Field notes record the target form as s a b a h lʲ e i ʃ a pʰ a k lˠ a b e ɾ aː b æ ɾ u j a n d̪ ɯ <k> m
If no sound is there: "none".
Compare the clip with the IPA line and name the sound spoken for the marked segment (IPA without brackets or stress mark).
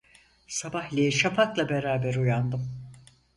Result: none